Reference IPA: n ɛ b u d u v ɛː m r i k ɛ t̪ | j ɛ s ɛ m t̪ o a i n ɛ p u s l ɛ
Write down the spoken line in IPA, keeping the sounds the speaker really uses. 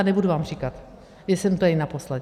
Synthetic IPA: n ɛ b u d u v aː m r i k a t̪ | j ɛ s ɛ m t̪ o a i n a p o s l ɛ